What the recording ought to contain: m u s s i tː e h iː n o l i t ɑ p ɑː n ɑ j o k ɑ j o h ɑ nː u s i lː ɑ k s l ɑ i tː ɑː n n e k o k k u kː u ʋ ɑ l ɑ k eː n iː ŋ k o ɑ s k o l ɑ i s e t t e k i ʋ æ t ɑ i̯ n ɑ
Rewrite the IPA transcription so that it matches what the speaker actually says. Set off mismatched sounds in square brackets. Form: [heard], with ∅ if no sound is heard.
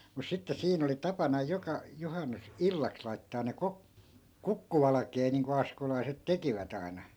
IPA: m u s s i tː e [s] iː n o l i t ɑ p [ɑ] n ɑ j o k ɑ j o h ɑ nː u s i lː ɑ k s l ɑ i tː ɑː n n e k o k k u kː u ʋ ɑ l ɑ k eː n iː ŋ k o ɑ s k o l ɑ i s e t t e k i ʋ æ t ɑ i̯ n ɑ